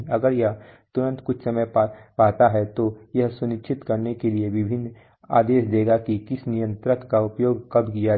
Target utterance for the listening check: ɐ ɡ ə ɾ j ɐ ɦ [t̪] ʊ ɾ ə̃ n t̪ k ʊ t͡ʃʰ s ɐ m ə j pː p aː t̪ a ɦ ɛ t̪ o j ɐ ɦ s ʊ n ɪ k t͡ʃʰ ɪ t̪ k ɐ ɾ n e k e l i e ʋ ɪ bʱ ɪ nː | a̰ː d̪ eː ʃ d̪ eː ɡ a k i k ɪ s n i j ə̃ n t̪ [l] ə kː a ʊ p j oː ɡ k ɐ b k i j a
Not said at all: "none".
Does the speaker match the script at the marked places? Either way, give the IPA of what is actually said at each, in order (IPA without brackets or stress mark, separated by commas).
t̪, ɾ